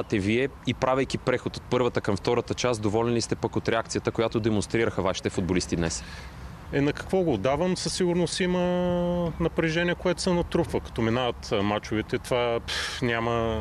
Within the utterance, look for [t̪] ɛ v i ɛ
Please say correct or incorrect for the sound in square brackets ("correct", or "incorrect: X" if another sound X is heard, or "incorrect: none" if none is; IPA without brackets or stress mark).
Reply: correct